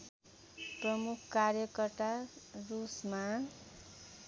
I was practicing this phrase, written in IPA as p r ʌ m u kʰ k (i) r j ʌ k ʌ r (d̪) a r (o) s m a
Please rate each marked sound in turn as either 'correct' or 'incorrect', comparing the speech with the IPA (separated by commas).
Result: incorrect, incorrect, incorrect